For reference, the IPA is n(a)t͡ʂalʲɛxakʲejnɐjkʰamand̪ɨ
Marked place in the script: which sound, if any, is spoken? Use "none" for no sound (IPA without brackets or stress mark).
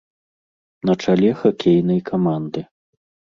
ɐ